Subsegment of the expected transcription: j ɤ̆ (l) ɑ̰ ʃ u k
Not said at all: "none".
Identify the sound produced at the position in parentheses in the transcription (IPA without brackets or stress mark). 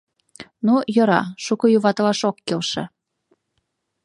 ɾ